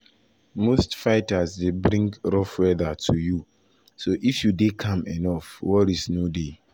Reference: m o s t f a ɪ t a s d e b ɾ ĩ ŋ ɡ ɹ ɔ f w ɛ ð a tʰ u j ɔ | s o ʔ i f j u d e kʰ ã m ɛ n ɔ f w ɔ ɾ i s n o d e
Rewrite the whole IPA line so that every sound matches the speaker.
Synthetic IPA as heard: m o s t f a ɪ t a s d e b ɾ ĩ ŋ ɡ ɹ ɔ f w ɛ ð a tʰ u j u | s o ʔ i f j u d e kʰ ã m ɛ n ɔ f w ɔ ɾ i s n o d e